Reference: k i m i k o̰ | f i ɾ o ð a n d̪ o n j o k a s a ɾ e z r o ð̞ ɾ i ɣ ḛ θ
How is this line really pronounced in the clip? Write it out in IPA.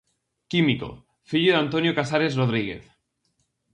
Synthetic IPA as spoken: k i m i k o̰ | f i ʎ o ð a n t̪ o n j o k a s a ɾ e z r o ð̞ ɾ i ɣ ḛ θ